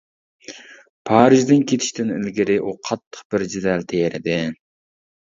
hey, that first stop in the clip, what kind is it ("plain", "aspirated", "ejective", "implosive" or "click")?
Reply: aspirated